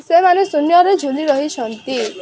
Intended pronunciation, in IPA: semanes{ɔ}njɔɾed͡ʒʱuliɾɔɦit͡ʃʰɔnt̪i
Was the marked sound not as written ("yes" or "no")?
yes